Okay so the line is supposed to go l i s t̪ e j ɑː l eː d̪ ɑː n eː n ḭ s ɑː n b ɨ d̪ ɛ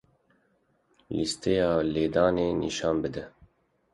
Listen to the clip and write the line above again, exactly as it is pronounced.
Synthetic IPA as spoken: l i s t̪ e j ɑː l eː d̪ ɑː n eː n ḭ ʃ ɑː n b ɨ d̪ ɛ